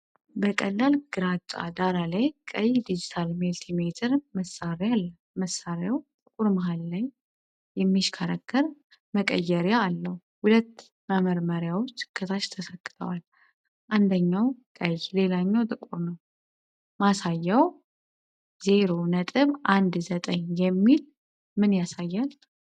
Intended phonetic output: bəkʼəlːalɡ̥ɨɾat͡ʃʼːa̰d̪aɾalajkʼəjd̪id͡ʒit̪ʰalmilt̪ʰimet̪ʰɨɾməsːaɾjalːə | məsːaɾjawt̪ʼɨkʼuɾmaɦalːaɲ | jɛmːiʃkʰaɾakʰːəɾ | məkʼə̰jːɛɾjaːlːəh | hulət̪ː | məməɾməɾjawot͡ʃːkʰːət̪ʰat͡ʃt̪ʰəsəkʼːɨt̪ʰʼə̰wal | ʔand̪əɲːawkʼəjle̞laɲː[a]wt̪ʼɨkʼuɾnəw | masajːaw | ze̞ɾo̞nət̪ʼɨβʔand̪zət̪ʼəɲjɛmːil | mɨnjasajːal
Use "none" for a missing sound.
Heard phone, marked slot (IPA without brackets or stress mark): a